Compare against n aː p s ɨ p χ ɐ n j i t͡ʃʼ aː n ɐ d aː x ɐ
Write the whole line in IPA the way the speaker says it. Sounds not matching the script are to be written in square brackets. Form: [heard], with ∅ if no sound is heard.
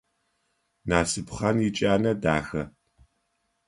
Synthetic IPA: n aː [∅] s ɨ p χ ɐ n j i t͡ʃʼ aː n ɐ d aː x ɐ